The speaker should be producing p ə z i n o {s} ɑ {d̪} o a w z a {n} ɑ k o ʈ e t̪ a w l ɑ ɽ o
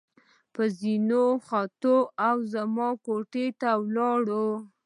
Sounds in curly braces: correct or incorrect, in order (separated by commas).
incorrect, incorrect, incorrect